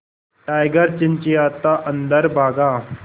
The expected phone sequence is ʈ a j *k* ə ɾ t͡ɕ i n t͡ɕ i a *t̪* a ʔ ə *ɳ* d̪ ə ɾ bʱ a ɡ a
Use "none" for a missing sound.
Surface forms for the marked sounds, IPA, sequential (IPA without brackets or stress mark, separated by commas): ɡ, t̪, n